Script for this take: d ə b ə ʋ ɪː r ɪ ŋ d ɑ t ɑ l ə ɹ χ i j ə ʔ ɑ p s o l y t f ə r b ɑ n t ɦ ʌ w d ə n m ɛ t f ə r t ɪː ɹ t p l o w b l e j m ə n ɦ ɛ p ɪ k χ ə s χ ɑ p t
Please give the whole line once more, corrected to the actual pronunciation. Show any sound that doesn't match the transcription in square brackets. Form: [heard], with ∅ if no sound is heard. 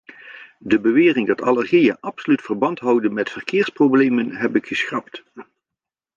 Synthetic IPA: d ə b ə ʋ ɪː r ɪ ŋ d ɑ t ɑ l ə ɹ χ i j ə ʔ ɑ p s o l y t f ə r b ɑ n t ɦ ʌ w d ə n m ɛ t f ə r [k] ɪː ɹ [s] p [r] o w b l e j m ə n ɦ ɛ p ɪ k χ ə s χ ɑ p t